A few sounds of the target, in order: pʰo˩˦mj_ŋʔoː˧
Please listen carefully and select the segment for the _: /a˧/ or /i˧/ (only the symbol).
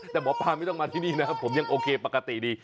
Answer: a˧